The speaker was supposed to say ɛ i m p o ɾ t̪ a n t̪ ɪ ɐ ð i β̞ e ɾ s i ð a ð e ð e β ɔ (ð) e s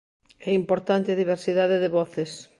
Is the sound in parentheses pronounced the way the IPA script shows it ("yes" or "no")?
no